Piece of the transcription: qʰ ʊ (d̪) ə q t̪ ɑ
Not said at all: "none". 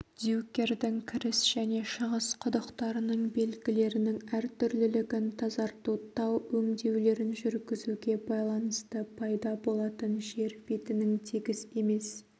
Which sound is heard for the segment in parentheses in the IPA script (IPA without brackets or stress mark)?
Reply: d̪